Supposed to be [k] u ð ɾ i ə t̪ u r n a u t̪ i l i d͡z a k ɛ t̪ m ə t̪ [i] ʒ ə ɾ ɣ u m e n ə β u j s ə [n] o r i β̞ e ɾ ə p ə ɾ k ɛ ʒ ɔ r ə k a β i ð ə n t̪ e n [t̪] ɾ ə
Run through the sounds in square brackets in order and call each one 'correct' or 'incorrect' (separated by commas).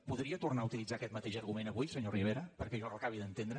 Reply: incorrect, incorrect, incorrect, incorrect